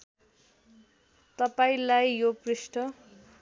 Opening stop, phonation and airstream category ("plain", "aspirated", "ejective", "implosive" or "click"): plain